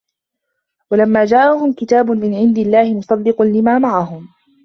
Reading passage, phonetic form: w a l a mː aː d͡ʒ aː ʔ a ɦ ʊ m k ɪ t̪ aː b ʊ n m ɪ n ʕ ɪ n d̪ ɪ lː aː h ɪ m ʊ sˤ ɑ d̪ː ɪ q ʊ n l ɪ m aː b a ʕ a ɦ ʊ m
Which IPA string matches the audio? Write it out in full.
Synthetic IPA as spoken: w a l a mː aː d͡ʒ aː ʔ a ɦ ʊ m k ɪ t̪ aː b ʊ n m ɪ n ʕ ɪ n d̪ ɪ lː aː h ɪ m ʊ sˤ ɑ d̪ː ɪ q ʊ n l ɪ m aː m a ʕ a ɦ ʊ m